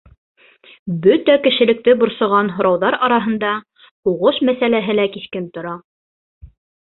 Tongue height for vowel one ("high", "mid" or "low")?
mid